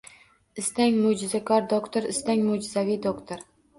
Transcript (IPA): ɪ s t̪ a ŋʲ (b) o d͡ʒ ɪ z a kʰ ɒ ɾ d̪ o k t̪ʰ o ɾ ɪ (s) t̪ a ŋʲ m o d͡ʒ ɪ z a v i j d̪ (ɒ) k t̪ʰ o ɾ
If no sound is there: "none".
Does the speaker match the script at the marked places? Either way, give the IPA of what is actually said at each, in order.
m, s, o

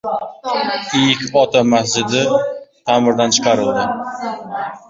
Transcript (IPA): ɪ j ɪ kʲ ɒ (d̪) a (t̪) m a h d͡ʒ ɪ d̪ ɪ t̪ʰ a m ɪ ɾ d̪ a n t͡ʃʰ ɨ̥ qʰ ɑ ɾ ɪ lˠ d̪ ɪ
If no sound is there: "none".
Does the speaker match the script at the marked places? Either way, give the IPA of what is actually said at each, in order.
t̪, none

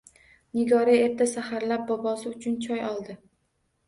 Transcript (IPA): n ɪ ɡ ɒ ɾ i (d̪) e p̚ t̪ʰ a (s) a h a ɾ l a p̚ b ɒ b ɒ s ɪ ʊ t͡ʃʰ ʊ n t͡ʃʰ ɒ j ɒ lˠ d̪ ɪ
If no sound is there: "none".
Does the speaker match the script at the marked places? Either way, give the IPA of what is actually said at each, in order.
none, s

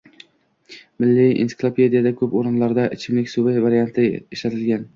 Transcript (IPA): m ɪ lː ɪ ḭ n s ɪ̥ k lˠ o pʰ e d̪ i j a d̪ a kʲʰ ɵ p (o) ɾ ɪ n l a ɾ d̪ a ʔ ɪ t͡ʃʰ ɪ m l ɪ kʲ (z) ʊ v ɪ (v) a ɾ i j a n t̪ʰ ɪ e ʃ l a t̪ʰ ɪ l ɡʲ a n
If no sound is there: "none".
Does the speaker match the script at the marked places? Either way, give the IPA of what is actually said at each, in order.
o, s, v

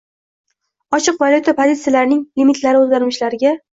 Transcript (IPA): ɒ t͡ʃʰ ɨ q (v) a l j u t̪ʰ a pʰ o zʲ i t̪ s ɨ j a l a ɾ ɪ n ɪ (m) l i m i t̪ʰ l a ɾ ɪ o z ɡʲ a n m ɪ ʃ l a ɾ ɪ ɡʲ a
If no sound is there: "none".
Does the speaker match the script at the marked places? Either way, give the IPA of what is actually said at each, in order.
v, ŋ

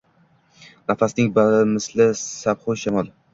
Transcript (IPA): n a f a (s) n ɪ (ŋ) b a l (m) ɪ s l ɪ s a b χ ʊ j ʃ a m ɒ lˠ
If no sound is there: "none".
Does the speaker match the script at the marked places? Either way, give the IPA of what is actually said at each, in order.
s, ŋ, m

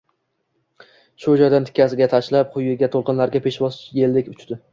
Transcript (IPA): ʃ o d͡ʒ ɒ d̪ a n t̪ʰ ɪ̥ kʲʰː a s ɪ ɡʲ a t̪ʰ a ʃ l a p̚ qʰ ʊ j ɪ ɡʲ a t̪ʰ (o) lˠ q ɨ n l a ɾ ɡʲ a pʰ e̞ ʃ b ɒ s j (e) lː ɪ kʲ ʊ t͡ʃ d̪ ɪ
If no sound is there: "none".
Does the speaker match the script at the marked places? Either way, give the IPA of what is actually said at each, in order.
o, e

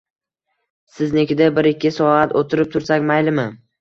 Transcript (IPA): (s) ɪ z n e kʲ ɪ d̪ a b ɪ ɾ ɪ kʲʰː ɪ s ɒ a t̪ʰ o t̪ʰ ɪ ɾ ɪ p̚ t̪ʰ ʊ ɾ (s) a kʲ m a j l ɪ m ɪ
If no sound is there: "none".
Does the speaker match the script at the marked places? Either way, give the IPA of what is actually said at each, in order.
s, s

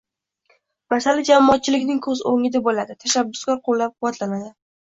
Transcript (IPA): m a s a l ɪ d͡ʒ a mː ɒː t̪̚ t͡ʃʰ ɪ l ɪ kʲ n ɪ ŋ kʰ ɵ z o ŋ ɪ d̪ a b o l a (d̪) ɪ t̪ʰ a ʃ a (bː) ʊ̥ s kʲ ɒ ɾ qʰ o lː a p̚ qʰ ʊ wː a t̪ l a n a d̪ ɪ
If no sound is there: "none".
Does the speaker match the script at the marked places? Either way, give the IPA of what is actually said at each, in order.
d̪, bː

